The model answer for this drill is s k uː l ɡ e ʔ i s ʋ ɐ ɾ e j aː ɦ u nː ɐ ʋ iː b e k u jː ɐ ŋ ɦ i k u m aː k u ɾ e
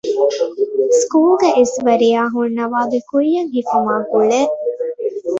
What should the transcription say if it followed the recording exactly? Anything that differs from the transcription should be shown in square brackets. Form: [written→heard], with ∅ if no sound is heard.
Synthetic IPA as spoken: s k uː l ɡ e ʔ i s ʋ ɐ ɾ [e→i] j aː ɦ u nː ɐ ʋ [iː→aː] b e k u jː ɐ ŋ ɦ i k u m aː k u [ɾ→ɭ] e